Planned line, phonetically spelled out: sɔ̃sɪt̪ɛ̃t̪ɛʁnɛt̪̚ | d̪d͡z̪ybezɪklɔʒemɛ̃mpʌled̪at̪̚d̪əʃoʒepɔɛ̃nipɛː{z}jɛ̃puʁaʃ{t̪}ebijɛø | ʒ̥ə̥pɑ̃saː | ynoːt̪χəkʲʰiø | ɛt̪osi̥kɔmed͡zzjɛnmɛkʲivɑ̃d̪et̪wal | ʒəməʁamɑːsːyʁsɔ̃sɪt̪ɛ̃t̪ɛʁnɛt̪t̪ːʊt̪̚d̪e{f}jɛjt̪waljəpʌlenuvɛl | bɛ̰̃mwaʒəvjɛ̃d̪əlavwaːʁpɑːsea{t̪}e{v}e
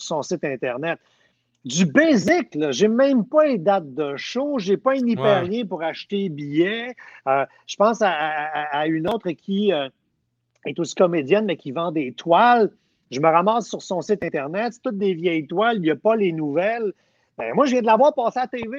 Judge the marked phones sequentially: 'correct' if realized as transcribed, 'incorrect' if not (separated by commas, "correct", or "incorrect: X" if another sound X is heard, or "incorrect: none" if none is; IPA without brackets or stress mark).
incorrect: ʁ, correct, incorrect: v, correct, correct